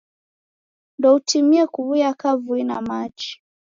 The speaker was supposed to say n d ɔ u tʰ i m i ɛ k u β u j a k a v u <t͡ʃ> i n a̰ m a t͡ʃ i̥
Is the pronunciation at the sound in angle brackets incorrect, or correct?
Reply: incorrect: none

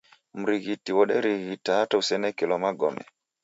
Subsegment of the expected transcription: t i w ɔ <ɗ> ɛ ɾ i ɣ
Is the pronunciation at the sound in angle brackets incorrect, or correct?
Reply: correct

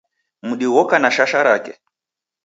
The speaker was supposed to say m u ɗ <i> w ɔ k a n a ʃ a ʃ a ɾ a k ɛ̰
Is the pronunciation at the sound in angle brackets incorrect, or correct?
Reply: correct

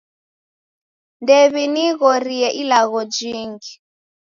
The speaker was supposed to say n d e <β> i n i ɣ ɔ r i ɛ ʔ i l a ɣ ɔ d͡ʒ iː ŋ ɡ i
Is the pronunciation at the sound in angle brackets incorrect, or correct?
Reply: correct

